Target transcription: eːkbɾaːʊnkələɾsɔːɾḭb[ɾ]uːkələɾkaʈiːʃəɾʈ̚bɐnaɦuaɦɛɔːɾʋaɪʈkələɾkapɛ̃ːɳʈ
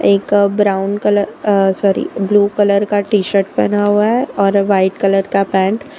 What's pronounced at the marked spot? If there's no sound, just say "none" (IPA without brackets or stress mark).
l